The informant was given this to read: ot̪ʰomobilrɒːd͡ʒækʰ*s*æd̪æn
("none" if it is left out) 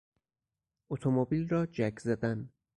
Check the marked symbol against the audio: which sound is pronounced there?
z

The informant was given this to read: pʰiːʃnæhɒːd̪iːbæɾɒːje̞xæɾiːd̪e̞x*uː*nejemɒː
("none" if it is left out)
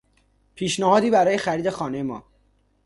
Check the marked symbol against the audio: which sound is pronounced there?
ɒː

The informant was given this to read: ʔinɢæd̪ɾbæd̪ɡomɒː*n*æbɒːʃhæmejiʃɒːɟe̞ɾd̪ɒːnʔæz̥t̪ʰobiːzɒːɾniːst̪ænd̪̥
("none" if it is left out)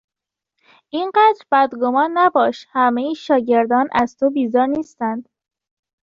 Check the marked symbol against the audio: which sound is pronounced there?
nː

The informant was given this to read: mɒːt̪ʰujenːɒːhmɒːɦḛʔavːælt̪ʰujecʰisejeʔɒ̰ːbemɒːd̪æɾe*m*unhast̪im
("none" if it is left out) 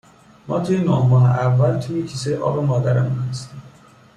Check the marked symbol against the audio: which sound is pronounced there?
m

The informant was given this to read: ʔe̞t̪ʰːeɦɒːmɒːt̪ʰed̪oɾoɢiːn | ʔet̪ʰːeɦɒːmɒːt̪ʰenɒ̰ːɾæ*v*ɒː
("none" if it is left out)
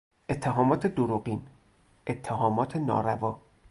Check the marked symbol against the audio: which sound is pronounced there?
v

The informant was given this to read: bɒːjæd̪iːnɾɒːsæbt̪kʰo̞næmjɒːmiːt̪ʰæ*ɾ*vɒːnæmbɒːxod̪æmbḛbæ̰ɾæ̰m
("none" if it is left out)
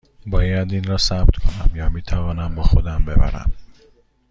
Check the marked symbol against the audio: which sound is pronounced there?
none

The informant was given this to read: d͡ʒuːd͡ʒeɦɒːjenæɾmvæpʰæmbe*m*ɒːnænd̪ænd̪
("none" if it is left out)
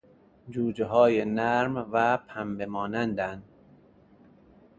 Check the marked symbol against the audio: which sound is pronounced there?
m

